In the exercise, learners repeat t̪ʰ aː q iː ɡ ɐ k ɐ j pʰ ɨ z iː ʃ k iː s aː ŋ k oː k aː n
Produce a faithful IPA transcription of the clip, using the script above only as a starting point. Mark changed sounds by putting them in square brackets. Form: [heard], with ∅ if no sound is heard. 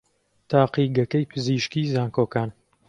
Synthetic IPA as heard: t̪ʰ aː q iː ɡ ɐ k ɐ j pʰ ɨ z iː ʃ k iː [z] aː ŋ k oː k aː n